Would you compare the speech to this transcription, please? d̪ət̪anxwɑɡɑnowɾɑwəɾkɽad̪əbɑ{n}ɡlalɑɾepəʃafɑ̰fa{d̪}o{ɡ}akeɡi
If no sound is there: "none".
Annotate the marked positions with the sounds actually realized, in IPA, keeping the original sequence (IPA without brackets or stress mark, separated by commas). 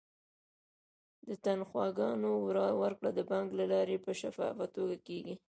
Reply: ŋ, t̪, ɡ